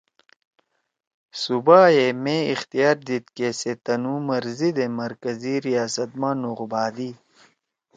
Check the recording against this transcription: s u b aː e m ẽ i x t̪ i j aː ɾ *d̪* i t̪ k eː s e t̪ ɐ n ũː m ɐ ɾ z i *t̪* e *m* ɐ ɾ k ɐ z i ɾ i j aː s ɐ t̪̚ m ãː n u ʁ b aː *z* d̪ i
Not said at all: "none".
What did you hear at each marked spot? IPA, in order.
d̪, d̪, m, none

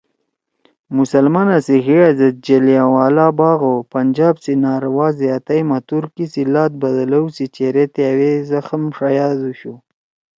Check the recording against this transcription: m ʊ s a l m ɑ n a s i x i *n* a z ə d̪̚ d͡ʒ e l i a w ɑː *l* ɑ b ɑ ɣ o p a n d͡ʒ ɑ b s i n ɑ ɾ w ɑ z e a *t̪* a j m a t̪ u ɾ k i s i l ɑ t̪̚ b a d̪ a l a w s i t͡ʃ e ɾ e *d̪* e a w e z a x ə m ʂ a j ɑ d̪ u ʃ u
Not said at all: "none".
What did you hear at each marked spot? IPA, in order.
none, l, t̪, t̪

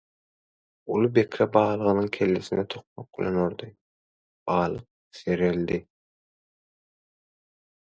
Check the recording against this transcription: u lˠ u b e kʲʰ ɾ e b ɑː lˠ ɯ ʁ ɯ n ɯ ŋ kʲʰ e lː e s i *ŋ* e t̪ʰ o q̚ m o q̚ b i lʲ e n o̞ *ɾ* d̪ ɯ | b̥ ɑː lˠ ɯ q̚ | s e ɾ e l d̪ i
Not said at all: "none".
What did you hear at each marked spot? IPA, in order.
n, ɾ

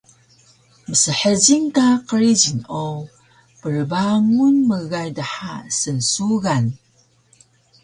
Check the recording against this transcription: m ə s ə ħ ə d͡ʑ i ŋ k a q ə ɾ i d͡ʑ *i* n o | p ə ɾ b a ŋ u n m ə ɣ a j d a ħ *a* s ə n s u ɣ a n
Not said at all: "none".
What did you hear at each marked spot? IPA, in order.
i, a

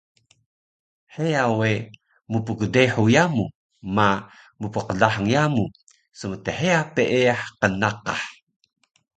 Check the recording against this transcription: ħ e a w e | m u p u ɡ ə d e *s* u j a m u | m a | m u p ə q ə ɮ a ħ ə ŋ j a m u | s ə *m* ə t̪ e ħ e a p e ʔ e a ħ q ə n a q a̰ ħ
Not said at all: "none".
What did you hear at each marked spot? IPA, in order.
ħ, m

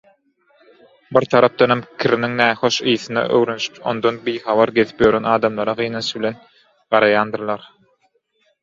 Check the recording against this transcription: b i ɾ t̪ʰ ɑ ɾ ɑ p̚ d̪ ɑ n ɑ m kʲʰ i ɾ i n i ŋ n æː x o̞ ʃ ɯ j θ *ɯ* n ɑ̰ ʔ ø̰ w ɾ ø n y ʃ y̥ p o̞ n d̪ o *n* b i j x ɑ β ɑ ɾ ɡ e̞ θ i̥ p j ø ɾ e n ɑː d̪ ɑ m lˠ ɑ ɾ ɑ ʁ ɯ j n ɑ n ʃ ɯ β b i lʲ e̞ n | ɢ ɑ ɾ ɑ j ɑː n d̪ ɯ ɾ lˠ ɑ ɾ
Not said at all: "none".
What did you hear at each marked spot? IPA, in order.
ɯ, n

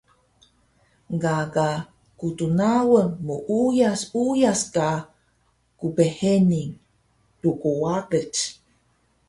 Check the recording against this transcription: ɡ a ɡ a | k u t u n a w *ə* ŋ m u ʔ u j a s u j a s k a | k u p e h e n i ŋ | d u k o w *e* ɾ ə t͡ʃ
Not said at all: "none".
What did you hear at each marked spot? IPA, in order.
ə, a

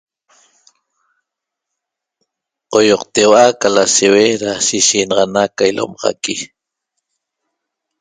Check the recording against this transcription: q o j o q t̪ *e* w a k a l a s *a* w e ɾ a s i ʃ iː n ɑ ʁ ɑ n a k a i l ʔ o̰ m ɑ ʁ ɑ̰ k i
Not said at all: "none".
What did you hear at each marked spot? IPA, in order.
e, e

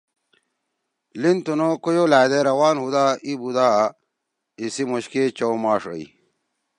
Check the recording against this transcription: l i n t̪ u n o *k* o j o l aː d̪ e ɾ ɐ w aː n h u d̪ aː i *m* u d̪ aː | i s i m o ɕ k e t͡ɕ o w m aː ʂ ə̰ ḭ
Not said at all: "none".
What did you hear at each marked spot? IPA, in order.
k, b

